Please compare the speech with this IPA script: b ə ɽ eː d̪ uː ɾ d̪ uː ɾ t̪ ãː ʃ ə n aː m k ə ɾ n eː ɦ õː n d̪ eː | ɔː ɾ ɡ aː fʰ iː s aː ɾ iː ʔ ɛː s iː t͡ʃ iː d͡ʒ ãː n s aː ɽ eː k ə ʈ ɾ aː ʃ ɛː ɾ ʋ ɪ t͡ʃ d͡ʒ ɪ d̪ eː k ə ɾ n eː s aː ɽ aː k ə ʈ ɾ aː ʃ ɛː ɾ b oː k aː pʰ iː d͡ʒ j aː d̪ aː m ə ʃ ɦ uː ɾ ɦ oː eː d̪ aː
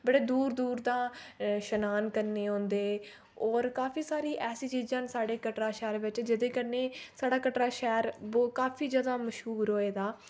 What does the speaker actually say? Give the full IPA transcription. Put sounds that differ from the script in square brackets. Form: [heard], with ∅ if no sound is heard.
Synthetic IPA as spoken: b ə ɽ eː d̪ uː ɾ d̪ uː ɾ [d̪] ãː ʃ ə n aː [n] k ə ɾ n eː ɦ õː n d̪ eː | ɔː ɾ [k] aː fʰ iː s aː ɾ iː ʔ ɛː s iː t͡ʃ iː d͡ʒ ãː n s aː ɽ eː k ə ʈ ɾ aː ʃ ɛː ɾ ʋ ɪ t͡ʃ d͡ʒ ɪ d̪ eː k ə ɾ n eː s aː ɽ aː k ə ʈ ɾ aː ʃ ɛː ɾ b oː k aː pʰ iː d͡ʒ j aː d̪ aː m ə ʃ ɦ uː ɾ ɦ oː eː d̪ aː